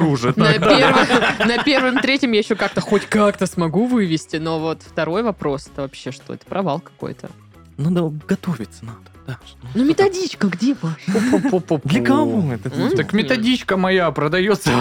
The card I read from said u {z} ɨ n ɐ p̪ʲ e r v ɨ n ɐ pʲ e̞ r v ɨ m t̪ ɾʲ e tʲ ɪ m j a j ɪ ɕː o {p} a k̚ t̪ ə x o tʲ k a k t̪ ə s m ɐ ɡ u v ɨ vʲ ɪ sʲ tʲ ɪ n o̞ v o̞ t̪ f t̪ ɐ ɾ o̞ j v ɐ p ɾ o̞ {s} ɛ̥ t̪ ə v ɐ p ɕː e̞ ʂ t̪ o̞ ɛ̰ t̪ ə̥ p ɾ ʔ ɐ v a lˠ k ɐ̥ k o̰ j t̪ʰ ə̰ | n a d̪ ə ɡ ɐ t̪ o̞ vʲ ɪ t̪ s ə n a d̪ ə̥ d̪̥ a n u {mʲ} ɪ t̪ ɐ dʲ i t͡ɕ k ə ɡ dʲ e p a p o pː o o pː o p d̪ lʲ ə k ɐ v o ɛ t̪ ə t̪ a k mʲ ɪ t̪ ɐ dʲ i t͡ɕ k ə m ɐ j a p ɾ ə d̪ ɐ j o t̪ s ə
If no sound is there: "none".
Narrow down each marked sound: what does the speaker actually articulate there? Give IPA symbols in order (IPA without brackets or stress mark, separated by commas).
ʐ, k, s, mʲ